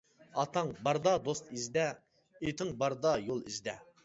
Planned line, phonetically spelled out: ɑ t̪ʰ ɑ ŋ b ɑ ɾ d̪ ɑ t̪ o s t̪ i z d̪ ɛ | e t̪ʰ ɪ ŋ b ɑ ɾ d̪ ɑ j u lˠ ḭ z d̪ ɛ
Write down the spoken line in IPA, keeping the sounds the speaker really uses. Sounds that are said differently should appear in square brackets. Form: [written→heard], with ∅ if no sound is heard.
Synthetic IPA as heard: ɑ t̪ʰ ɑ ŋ b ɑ ɾ d̪ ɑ [t̪→d̪] o s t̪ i z d̪ ɛ | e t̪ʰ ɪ ŋ b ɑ ɾ d̪ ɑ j [u→o] lˠ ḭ z d̪ ɛ